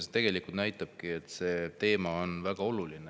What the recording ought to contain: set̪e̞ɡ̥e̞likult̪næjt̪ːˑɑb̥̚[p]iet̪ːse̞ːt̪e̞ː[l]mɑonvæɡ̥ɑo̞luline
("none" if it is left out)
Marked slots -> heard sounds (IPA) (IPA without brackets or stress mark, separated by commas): k, none